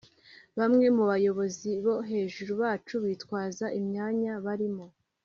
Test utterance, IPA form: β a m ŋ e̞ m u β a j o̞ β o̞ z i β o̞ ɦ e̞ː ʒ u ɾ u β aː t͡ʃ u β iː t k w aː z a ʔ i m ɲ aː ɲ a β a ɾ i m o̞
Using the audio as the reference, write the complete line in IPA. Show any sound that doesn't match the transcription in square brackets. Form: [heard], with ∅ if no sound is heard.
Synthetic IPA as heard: β a m ŋ e̞ m u β a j o̞ β o̞ z i β o̞ ɦ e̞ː ʒ u ɾ u β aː t͡ʃ u β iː t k w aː z a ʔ i m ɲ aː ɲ a β a ɾ i m o̞

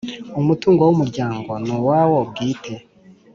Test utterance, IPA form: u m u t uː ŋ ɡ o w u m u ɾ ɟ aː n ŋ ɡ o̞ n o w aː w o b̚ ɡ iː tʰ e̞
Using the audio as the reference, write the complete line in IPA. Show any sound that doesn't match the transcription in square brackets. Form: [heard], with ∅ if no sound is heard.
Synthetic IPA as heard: u m u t uː ŋ ɡ o w u m u ɾ ɟ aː [∅] ŋ ɡ o̞ n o w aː w o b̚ ɡ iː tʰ e̞

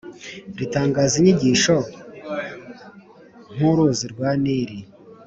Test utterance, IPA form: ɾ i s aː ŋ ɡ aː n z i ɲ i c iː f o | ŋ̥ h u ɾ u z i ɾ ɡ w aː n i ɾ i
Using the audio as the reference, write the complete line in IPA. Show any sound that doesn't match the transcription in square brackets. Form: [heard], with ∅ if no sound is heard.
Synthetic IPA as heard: ɾ i [t] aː ŋ ɡ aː [∅] z i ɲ i [ɟ] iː [ʃ] o | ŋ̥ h u ɾ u z i ɾ ɡ w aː n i ɾ i

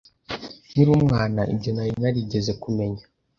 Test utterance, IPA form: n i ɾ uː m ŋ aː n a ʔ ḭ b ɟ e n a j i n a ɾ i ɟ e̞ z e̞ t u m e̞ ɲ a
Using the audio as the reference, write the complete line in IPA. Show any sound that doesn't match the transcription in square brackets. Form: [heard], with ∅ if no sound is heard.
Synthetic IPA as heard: n i ɾ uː m ŋ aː n a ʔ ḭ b ɟ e n a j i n a ɾ i ɟ e̞ z e̞ [k] u m e̞ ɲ a

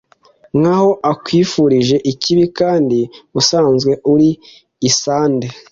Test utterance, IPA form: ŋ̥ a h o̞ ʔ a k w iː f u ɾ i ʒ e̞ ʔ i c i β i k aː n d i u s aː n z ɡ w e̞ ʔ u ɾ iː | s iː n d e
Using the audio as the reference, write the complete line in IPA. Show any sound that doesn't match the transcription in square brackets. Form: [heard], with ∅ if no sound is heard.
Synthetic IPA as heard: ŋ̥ a h o̞ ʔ a k w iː f u ɾ i ʒ e̞ ʔ i c i β i k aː n d i u s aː n z ɡ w e̞ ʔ u ɾ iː | s [aː] n d e

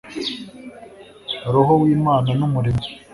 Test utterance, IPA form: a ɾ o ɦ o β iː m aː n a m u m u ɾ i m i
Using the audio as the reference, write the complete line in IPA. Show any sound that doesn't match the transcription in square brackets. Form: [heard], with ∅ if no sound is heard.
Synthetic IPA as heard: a ɾ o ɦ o [w] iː m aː n a [n] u m u ɾ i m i

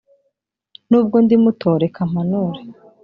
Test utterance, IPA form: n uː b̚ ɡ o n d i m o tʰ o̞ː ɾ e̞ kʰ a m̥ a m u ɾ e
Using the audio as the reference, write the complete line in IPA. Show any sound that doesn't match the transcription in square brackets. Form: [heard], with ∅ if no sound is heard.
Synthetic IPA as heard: n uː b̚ ɡ o n d i m [u] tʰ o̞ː ɾ e̞ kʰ a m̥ a [n] u ɾ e

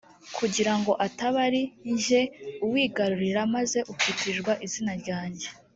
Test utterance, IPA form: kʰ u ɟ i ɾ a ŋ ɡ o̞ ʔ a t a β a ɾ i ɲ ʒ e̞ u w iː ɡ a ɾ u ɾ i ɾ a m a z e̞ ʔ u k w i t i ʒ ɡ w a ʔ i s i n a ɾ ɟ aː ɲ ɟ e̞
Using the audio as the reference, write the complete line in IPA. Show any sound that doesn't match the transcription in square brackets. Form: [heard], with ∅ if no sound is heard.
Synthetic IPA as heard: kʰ u ɟ i ɾ a ŋ ɡ o̞ ʔ a t a β a ɾ i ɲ ʒ e̞ u w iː ɡ a ɾ u ɾ i ɾ a m a z e̞ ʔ u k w i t i ʒ ɡ w a ʔ i [z] i n a ɾ ɟ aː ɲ ɟ e̞

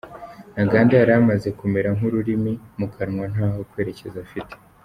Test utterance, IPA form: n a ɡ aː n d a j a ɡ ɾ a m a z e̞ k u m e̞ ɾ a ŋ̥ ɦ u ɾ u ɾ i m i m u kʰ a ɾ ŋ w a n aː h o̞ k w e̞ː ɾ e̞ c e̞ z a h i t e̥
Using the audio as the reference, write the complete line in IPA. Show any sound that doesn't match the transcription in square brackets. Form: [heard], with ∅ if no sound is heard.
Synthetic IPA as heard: n a ɡ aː n d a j a [∅] ɾ a m a z e̞ k u m e̞ ɾ a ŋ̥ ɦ u ɾ u ɾ i m i m u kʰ a ɾ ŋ w a n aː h o̞ k w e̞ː ɾ e̞ c e̞ z a [f] i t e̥

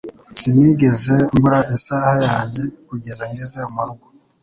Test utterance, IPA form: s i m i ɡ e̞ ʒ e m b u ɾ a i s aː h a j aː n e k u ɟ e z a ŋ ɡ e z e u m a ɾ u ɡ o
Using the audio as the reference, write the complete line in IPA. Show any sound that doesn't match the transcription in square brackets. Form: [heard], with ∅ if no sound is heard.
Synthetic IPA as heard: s i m i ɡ e̞ [z] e m b u ɾ a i s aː h a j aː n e k u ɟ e z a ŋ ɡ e z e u m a ɾ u ɡ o

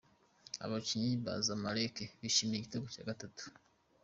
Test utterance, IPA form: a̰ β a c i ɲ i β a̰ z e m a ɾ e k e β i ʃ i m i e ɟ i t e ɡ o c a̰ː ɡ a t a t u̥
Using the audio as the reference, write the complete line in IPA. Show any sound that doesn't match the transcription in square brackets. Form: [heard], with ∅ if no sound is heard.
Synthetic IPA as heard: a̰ β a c i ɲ i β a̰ z [a] m a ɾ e k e β i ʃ i m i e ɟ i t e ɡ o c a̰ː ɡ a t a t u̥

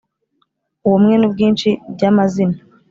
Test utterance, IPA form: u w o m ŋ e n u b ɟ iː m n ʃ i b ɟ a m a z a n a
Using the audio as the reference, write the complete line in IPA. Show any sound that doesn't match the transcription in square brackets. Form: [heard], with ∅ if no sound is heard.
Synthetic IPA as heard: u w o m ŋ e n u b [ɡ] iː [∅] n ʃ i b ɟ a m a z [i] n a

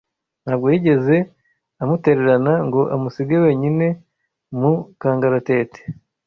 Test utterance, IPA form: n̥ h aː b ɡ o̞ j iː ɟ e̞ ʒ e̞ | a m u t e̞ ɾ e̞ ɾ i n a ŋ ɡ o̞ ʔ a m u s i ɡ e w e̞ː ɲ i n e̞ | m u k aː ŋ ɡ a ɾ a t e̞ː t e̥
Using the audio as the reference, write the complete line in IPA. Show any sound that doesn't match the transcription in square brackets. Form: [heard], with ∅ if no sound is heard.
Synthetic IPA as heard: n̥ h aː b ɡ o̞ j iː ɟ e̞ [z] e̞ | a m u t e̞ ɾ e̞ ɾ [a] n a ŋ ɡ o̞ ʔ a m u s i ɡ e w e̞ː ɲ i n e̞ | m u k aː ŋ ɡ a ɾ a t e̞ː t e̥

